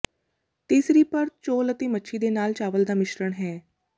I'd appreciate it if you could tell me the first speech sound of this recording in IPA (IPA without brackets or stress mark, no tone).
t̪